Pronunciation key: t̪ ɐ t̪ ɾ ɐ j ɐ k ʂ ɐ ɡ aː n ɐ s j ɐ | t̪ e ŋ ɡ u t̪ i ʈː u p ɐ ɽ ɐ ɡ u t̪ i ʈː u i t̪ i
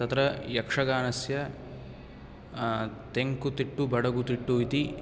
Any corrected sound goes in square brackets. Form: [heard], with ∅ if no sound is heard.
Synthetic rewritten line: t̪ ɐ t̪ ɾ ɐ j ɐ k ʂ ɐ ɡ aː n ɐ s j ɐ | t̪ e ŋ [k] u t̪ i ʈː u [b] ɐ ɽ ɐ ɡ u t̪ i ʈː u i t̪ i